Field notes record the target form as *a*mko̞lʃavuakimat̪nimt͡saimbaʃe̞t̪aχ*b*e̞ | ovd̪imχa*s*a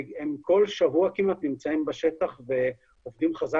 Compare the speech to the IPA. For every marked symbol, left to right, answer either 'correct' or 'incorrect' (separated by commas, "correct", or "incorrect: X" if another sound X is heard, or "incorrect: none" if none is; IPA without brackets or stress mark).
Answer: incorrect: e, incorrect: v, incorrect: z